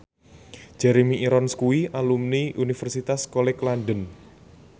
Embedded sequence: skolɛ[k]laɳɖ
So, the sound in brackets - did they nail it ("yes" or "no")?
yes